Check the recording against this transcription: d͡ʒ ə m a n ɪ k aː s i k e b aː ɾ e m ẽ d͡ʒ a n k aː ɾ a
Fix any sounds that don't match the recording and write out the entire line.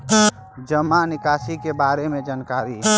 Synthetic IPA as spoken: d͡ʒ ə m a n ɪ k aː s i k e b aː ɾ e m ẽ d͡ʒ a n k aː ɾ i